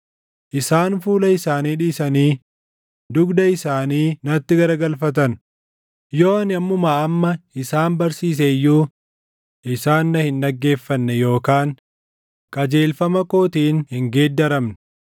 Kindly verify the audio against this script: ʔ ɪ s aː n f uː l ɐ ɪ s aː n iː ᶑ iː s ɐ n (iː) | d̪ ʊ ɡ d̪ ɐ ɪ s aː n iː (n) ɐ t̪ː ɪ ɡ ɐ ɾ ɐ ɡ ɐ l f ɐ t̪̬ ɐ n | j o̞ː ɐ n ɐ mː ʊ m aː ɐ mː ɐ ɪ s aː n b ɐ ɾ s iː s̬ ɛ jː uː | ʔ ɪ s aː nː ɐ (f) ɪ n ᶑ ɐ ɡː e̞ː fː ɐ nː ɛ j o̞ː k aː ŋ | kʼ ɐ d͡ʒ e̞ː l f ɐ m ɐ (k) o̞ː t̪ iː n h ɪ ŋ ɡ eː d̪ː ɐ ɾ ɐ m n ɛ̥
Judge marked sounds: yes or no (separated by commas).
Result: yes, yes, no, yes